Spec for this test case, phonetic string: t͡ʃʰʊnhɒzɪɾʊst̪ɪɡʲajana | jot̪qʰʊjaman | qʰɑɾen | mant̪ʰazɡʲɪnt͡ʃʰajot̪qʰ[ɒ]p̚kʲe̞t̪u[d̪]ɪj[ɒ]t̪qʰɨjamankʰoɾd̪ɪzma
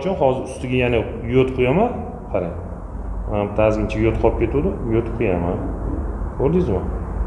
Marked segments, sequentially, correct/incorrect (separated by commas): correct, correct, incorrect